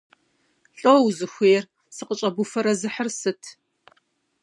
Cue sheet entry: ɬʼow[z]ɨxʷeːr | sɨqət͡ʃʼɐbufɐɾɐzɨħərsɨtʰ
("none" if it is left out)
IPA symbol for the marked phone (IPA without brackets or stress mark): z